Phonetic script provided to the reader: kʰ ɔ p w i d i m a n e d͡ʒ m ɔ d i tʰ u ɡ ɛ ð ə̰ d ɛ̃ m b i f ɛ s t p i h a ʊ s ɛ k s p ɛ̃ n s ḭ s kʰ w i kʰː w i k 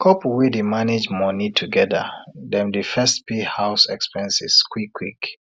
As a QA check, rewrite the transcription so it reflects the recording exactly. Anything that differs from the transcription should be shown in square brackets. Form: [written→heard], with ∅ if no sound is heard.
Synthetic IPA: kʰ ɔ p w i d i m a n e d͡ʒ m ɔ [d→n] i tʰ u ɡ ɛ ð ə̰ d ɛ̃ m [b→d] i f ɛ s t p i h a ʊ s ɛ k s p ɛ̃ n s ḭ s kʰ w i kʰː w i k

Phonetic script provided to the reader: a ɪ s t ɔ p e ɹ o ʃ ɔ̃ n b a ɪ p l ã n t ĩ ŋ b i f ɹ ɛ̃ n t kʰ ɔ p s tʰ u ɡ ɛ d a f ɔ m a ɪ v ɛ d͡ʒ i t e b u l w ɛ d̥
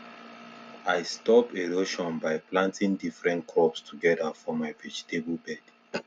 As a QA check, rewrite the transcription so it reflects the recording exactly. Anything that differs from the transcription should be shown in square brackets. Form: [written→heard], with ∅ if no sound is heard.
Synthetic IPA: a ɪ s t ɔ p e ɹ o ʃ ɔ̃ n b a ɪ p l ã n t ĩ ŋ [b→d] i f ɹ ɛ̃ n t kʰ ɔ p s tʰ u ɡ ɛ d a f ɔ m a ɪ v ɛ d͡ʒ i t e b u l [w→b] ɛ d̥

